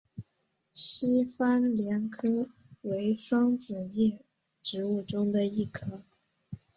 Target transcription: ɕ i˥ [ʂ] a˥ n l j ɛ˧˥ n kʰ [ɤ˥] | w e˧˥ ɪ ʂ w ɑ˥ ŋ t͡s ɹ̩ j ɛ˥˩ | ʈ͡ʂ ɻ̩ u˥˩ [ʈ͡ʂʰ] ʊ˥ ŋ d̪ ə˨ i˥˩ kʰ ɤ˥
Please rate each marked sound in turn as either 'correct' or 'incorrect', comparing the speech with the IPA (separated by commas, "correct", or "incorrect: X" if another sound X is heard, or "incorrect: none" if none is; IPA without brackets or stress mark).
incorrect: f, correct, incorrect: ʈ͡ʂ